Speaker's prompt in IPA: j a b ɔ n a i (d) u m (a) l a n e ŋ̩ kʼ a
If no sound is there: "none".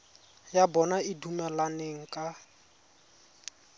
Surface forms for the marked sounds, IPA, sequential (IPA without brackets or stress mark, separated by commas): d, ɛ